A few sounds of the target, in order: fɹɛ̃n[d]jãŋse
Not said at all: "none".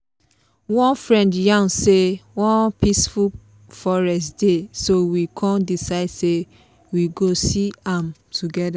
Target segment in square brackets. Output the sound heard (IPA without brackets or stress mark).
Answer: d